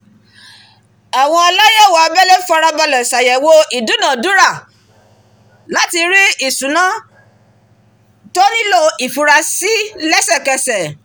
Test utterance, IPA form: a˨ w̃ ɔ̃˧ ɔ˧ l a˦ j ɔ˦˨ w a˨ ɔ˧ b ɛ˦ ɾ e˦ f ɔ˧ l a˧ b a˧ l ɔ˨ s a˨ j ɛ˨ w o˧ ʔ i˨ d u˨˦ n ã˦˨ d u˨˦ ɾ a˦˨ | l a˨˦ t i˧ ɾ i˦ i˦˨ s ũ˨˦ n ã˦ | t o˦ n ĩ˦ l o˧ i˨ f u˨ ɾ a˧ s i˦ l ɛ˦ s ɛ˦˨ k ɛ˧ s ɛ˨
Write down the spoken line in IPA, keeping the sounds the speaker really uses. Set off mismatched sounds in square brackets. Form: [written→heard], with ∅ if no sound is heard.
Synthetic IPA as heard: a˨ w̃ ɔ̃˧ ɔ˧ l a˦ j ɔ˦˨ w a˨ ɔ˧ b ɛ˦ [ɾ→l] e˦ f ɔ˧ [l→ɾ] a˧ b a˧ l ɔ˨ s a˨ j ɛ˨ w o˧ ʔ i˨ d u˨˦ n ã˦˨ d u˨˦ ɾ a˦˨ | l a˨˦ t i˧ ɾ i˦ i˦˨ s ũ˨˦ n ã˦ | t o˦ n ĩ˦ l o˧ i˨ f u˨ ɾ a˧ s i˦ l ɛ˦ s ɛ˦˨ k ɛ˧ s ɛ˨